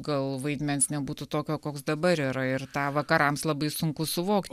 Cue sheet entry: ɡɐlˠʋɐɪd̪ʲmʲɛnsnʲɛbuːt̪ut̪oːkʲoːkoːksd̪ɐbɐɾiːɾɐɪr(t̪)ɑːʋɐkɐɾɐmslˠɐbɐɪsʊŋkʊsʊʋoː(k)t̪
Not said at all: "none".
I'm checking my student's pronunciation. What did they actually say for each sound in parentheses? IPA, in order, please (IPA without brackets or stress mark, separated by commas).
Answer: t̪, k